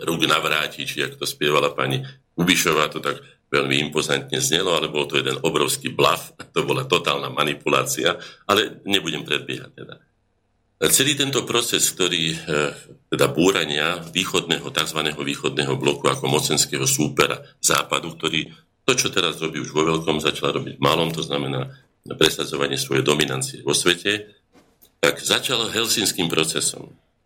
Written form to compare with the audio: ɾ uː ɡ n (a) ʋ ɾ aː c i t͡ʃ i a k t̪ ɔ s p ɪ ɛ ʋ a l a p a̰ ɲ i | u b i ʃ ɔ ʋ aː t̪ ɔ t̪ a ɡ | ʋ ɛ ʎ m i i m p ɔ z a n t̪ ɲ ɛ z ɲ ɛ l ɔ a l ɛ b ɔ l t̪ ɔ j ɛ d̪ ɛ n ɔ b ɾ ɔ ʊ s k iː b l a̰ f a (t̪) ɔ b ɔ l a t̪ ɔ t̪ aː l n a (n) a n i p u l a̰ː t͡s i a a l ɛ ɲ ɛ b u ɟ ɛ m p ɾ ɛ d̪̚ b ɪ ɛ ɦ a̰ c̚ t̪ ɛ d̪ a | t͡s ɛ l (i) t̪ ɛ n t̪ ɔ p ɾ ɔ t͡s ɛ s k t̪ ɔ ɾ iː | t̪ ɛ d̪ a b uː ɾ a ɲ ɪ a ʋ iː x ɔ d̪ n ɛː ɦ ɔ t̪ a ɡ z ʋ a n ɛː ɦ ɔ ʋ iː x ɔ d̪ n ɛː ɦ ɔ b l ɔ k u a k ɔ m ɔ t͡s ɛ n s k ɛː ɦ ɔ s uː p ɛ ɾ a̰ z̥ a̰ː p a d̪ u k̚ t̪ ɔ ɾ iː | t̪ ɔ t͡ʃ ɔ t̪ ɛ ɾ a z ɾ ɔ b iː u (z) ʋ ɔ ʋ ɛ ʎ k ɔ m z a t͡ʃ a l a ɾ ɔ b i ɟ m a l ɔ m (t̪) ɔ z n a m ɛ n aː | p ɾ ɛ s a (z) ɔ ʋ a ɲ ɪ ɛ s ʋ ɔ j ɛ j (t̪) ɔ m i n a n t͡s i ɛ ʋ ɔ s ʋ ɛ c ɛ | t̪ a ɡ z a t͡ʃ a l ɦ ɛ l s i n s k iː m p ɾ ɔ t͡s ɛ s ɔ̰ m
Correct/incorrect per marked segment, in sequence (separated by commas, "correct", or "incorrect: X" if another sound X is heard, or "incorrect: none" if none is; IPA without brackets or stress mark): correct, correct, incorrect: m, incorrect: iː, incorrect: ʒ, correct, incorrect: d͡z, incorrect: d̪